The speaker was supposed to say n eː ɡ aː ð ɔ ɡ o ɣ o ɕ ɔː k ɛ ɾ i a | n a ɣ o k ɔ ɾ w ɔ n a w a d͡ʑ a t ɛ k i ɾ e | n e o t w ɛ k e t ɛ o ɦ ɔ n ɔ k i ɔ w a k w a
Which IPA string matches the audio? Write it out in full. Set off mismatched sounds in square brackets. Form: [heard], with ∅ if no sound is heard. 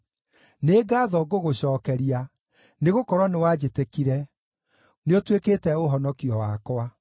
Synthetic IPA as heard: n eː ɡ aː ð ɔ ɡ o ɣ o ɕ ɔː k ɛ ɾ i a | n [e] ɣ o k ɔ ɾ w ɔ n [e] w a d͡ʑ [e] t [e] k i ɾ [ɛ] | n e o t w [e] k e t ɛ o ɦ ɔ n ɔ k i ɔ w a k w a